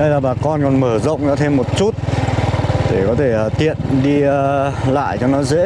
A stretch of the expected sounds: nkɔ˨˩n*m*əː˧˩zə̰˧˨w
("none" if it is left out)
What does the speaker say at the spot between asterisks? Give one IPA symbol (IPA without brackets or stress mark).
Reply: m